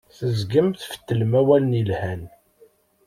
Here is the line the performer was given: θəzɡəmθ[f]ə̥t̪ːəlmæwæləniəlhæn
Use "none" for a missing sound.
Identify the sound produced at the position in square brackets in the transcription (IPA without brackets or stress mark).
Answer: f